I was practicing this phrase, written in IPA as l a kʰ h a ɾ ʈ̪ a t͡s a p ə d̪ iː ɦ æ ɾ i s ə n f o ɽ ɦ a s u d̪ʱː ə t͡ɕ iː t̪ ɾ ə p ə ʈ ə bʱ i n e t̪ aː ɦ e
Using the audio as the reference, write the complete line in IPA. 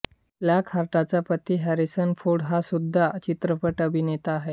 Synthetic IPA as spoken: l a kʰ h a ɾ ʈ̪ a t͡s a p ə t̪ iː ɦ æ ɾ i s ə n f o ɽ ɦ a s u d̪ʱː a t͡ɕ i t̪ ɾ ə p ə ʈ ə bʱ i n e t̪ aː ɦ e